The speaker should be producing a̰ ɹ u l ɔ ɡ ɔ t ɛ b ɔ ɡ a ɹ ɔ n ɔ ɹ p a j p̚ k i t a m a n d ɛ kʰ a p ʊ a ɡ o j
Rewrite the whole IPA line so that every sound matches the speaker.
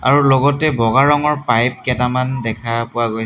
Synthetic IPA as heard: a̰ ɹ u l ɔ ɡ ɔ t ɛ b ɔ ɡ a ɹ ɔ ŋ ɔ ɹ p a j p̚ k ɛ t a m a n d ɛ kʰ a p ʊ a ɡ o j